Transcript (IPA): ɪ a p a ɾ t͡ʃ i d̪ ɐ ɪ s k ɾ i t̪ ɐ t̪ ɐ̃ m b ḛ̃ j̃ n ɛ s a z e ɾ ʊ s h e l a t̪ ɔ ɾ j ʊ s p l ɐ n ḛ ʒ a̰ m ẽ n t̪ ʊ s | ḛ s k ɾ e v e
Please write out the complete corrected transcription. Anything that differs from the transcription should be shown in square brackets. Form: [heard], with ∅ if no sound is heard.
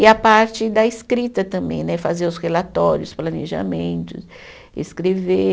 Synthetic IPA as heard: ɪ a p a ɾ t͡ʃ [ɪ] d̪ ɐ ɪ s k ɾ i t̪ ɐ t̪ ɐ̃ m b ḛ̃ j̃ n ɛ [f] a z e ɾ ʊ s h e l a t̪ ɔ ɾ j ʊ s p l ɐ n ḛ ʒ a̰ m ẽ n t̪ ʊ s | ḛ s k ɾ e v e